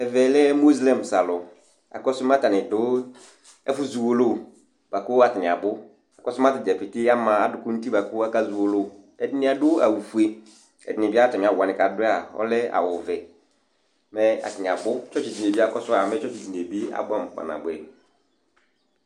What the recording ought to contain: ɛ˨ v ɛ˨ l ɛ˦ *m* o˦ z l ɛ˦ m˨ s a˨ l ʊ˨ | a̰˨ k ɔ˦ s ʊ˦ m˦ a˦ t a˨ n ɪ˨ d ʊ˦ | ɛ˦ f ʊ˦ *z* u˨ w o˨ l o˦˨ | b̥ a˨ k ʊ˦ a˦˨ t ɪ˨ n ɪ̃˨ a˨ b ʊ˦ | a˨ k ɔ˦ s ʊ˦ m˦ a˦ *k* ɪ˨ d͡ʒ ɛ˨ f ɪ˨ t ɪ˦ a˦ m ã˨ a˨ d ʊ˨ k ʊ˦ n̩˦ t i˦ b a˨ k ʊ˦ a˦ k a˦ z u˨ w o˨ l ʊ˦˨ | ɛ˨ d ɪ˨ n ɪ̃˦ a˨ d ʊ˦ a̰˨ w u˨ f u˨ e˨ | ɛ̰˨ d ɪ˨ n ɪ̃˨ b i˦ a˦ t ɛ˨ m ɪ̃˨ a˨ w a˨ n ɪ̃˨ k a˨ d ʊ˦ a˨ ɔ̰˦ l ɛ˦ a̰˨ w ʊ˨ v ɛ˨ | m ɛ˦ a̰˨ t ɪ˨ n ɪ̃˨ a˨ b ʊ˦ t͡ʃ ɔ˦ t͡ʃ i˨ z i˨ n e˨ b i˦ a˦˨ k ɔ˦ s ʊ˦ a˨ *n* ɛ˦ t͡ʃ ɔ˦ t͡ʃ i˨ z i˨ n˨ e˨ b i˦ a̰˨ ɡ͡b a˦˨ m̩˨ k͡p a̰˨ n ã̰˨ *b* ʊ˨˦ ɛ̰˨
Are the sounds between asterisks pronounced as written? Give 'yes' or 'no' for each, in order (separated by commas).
yes, yes, no, no, yes